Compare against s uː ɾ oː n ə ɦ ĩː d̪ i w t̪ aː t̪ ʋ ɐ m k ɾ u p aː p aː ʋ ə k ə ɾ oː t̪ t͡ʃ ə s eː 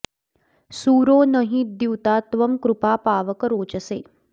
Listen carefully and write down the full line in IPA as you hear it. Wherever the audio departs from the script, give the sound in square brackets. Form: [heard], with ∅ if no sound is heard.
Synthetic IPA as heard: s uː ɾ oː n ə ɦ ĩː d̪ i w t̪ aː t̪ ʋ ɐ m k ɾ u p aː p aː ʋ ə k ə ɾ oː [∅] t͡ʃ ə s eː